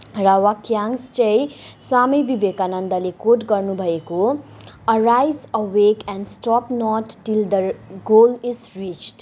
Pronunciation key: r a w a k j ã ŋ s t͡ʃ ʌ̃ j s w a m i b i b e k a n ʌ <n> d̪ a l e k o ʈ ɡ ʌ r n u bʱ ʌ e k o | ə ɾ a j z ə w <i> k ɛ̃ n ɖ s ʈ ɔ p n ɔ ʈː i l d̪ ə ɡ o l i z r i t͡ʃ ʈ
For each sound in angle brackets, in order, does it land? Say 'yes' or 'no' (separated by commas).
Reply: yes, no